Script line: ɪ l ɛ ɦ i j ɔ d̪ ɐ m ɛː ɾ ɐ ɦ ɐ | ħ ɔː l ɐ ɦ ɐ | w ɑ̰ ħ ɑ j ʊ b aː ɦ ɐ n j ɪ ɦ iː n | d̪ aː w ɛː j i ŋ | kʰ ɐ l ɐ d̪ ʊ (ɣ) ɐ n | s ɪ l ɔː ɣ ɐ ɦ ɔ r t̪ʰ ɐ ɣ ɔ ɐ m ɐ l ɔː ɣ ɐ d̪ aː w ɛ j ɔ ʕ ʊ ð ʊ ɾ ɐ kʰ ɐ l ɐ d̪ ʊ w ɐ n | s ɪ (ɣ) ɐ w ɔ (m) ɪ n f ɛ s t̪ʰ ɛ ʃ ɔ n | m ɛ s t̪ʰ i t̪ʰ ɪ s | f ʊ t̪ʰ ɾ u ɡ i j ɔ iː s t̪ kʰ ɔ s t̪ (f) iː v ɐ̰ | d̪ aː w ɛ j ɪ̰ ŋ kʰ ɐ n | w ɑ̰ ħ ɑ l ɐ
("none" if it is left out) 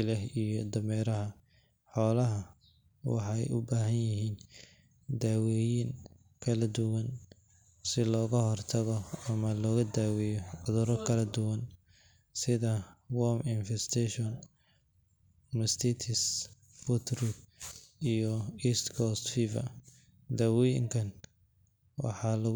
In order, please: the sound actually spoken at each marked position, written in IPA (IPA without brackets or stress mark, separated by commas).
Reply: w, ð, m, f